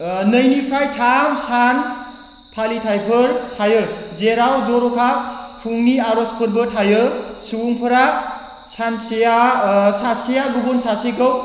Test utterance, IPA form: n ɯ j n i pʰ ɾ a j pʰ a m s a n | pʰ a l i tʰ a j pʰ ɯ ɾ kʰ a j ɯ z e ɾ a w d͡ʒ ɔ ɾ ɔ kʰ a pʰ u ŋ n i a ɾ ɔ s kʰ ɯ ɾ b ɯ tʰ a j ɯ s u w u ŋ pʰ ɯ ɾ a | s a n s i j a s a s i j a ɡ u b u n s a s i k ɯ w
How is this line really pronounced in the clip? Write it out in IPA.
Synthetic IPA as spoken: n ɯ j n i pʰ ɾ a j tʰ a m s a n | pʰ a l i tʰ a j pʰ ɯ ɾ tʰ a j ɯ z e ɾ a w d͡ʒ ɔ ɾ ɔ kʰ a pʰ u ŋ n i a ɾ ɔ s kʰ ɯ ɾ b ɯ tʰ a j ɯ s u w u ŋ pʰ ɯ ɾ a | s a n s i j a s a s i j a ɡ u b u n s a s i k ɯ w